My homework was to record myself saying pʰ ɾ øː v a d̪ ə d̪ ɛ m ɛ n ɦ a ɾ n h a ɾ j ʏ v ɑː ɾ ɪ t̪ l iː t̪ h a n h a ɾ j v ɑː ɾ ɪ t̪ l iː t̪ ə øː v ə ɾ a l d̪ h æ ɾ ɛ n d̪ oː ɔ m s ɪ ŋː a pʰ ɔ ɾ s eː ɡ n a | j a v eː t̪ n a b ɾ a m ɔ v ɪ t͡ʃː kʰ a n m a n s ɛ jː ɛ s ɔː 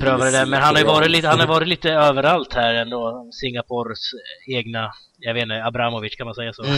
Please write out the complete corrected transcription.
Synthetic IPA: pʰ ɾ øː v a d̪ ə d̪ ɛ m ɛ n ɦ a n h a ɾ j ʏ v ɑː ɾ ɪ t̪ l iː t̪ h a n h a ɾ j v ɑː ɾ ɪ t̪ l iː t̪ ə øː v ə ɾ a l t̪ h æ ɾ ɛ n d̪ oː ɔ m s ɪ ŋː a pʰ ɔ ɾ s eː ɡ n a | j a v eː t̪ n a b ɾ a m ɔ v ɪ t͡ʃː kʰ a n m a n s ɛ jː a s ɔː